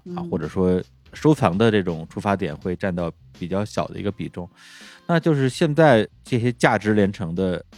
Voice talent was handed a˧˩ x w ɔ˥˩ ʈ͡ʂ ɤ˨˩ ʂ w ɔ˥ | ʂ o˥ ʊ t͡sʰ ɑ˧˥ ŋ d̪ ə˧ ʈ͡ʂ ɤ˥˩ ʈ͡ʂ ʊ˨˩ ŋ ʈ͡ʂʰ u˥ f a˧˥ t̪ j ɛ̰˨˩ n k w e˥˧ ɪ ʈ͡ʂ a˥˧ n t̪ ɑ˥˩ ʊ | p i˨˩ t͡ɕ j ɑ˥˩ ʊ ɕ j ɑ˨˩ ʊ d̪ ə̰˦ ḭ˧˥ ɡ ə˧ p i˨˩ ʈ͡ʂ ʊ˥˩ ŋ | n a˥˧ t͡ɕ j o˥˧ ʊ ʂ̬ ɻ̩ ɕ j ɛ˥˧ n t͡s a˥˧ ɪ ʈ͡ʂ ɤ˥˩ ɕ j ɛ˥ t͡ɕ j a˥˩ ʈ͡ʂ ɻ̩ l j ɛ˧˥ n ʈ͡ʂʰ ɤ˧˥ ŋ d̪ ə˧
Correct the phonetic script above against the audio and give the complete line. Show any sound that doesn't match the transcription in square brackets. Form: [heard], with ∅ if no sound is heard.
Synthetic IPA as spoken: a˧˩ x w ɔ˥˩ ʈ͡ʂ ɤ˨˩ ʂ w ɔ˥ | ʂ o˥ ʊ t͡sʰ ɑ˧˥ ŋ d̪ ə˧ ʈ͡ʂ ɤ˥˩ ʈ͡ʂ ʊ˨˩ ŋ ʈ͡ʂʰ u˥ f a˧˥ t̪ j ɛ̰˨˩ n [x] w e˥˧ ɪ ʈ͡ʂ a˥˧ n t̪ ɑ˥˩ ʊ | p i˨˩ t͡ɕ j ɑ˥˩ ʊ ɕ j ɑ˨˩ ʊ d̪ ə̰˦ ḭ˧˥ ɡ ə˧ p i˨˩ ʈ͡ʂ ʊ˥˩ ŋ | n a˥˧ t͡ɕ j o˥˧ ʊ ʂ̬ ɻ̩ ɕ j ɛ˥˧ n t͡s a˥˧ ɪ ʈ͡ʂ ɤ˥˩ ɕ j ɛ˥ t͡ɕ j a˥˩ ʈ͡ʂ ɻ̩ l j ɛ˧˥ n ʈ͡ʂʰ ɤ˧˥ ŋ d̪ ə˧